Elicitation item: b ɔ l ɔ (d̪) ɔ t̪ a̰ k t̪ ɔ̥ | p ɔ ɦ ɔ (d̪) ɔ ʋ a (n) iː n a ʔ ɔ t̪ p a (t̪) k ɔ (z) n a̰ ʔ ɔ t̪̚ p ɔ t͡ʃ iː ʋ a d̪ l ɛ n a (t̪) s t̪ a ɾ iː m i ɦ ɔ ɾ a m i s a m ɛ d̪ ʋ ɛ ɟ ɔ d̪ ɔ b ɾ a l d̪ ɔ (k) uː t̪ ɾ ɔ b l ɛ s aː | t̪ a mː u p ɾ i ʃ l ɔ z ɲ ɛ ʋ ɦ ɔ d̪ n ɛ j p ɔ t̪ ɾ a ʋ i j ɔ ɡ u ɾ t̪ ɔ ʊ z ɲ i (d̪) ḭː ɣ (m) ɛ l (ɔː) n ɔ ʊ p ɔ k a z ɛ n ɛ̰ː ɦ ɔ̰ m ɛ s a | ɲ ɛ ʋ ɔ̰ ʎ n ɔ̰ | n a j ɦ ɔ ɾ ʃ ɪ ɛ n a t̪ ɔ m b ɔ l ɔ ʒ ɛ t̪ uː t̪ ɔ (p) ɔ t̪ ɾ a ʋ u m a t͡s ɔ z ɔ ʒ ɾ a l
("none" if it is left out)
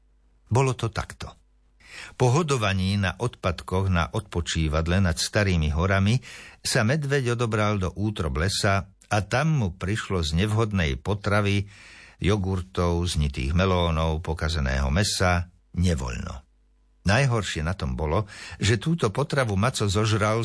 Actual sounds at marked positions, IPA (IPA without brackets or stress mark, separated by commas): t̪, d̪, ɲ, t̪, ɣ, t̪, ʔ, t̪, m, ɔː, p